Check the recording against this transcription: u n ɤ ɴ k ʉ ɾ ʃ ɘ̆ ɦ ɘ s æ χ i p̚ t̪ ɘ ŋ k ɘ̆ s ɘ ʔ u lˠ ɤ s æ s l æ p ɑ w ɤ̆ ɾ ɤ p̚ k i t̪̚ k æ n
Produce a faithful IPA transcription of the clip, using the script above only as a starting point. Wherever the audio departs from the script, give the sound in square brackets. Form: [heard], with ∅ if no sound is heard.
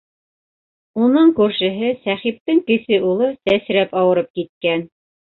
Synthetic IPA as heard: u n ɤ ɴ k ʉ ɾ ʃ ɘ̆ ɦ ɘ s æ χ i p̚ t̪ ɘ ŋ k ɘ̆ s ɘ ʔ u lˠ ɤ s æ s [ɾ] æ p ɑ w ɤ̆ ɾ ɤ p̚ k i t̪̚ k æ n